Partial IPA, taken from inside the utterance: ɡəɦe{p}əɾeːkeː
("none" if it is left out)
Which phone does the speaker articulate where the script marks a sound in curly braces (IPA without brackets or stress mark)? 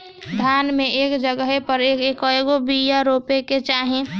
p